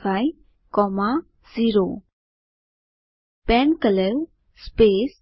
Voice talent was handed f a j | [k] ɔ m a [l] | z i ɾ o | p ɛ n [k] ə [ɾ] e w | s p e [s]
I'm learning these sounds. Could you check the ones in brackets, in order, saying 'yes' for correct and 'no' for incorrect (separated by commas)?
yes, no, yes, no, yes